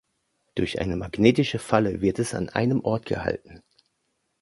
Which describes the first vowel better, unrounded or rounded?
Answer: rounded